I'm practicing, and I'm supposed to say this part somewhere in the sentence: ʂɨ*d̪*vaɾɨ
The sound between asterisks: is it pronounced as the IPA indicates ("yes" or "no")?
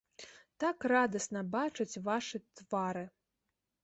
no